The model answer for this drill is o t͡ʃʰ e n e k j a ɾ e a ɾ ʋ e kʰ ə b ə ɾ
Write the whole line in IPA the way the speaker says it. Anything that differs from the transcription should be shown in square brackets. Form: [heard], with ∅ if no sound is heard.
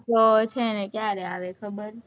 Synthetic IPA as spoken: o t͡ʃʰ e n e k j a ɾ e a [∅] ʋ e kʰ ə b ə ɾ